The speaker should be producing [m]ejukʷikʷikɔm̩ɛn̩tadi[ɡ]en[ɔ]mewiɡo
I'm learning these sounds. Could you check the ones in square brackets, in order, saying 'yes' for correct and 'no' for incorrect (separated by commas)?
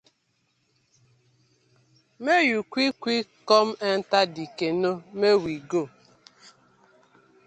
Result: yes, no, no